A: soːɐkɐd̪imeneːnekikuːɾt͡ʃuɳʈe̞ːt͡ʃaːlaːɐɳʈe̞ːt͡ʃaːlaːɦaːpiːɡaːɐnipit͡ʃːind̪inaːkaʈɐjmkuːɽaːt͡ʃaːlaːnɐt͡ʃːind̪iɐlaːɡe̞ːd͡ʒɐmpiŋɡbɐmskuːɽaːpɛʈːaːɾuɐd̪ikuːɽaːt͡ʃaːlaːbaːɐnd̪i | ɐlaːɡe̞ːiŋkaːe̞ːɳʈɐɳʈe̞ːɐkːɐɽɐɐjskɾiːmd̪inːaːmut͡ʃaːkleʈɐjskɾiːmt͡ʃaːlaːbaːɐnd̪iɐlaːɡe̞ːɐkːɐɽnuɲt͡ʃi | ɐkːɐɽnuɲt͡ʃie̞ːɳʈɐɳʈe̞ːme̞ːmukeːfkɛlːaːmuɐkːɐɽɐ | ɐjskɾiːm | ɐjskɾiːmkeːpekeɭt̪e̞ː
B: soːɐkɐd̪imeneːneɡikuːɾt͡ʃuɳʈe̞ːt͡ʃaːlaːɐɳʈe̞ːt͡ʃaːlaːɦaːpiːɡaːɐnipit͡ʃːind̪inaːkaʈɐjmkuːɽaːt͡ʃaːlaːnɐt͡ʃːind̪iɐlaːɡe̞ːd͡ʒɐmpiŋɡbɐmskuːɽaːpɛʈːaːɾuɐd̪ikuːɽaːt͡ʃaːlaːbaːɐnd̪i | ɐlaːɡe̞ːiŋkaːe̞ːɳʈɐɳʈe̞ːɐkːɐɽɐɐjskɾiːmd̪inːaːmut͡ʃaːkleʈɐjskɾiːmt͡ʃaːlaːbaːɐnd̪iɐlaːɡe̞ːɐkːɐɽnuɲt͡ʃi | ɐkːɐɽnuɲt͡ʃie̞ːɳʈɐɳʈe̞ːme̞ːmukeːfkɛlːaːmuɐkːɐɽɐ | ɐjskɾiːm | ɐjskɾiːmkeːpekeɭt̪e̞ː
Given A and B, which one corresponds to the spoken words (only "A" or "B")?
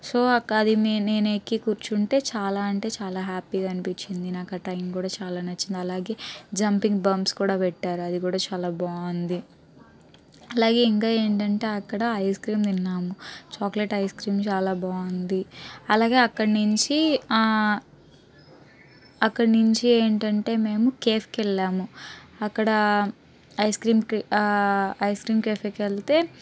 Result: A